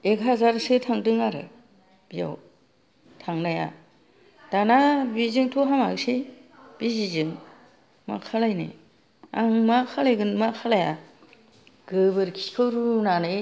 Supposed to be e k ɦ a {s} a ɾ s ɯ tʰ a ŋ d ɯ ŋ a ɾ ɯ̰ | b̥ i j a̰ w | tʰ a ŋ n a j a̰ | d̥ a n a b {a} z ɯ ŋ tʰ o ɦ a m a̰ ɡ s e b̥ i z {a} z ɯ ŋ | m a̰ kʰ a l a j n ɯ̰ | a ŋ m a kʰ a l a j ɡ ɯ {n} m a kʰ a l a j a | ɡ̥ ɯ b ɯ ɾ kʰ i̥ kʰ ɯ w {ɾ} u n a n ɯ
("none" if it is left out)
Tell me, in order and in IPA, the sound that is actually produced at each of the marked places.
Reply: z, i, i, n, ɾ

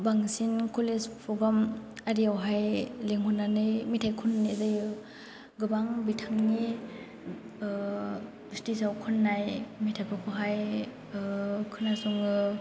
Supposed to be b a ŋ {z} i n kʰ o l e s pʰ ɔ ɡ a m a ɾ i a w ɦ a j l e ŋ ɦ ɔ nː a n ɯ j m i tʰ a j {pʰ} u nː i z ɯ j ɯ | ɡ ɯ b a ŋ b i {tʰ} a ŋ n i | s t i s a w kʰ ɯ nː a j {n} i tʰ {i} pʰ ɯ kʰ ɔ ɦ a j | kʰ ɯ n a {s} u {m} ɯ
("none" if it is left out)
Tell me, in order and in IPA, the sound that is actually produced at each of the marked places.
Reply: s, kʰ, tʰ, m, a, s, ŋ

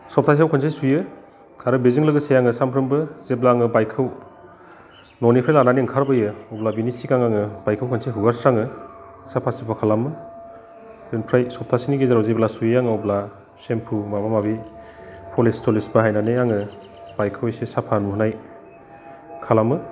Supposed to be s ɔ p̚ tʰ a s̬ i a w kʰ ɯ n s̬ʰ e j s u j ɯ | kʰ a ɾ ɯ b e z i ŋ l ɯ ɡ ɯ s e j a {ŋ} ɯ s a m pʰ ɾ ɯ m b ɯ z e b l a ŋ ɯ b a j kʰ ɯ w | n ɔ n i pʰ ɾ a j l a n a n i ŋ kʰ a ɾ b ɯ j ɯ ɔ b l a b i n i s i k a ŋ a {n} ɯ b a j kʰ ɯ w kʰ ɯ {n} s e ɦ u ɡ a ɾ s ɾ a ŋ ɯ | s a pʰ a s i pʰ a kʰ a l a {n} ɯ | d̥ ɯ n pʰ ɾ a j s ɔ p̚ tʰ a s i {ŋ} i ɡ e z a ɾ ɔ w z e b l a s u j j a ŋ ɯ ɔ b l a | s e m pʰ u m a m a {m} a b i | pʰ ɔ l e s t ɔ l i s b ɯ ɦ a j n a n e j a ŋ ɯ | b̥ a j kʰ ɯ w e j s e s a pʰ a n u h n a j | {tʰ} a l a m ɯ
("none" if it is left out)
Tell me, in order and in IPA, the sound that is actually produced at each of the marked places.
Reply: ŋ, ŋ, n, m, n, m, kʰ

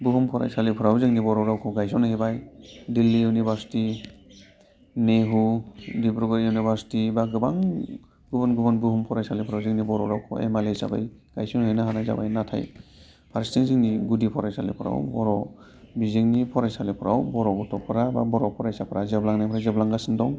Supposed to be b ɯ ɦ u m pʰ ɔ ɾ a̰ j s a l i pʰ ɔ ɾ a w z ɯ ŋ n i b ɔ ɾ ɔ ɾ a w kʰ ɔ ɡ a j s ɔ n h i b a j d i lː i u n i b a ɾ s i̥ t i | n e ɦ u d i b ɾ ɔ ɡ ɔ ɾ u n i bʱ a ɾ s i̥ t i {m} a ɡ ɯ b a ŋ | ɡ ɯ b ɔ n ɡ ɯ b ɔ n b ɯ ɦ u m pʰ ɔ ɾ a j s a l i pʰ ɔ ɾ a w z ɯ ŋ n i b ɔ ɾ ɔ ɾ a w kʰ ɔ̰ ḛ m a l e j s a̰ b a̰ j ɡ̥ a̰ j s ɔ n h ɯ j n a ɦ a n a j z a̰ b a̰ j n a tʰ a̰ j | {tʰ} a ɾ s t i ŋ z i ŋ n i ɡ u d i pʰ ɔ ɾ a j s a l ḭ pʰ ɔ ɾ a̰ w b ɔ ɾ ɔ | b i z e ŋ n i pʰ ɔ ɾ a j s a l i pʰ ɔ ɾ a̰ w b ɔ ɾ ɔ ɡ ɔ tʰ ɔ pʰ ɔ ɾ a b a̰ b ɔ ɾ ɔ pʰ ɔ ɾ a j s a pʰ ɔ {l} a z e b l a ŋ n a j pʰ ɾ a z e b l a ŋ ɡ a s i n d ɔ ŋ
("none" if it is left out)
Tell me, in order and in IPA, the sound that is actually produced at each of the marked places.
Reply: b, pʰ, ɾ

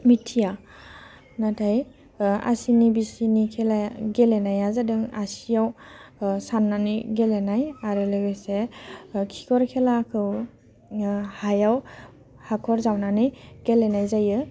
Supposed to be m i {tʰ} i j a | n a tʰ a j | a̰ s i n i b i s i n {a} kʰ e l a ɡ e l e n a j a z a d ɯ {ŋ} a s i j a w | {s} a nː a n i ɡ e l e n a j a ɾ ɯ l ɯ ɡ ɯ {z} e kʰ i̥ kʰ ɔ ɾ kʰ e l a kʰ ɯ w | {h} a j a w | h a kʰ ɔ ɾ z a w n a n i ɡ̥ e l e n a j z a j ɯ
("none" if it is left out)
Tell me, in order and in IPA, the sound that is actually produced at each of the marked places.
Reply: tʰ, i, ŋ, s, s, h

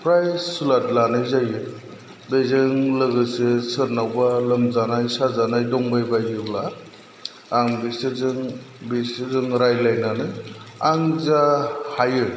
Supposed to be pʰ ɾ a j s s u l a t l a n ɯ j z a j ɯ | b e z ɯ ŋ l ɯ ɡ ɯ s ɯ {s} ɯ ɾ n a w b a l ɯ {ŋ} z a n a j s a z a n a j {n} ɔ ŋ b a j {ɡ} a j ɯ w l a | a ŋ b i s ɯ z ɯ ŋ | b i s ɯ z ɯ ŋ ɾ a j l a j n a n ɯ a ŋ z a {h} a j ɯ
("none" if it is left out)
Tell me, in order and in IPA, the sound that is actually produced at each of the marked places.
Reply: s, m, d, b, h

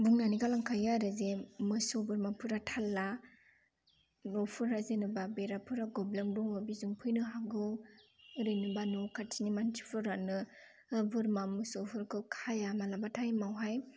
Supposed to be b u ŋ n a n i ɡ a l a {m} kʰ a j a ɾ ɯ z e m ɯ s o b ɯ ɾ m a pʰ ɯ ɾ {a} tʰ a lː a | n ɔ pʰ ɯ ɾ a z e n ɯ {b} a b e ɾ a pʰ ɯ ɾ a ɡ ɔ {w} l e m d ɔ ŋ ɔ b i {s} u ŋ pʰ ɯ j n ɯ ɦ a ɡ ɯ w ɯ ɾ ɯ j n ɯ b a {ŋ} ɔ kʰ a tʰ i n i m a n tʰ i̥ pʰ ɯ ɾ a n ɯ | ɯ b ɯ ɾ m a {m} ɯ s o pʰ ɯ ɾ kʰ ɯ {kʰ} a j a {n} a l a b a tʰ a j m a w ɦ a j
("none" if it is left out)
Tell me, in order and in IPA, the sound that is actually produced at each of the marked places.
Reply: ŋ, a, b, b, z, n, m, kʰ, m

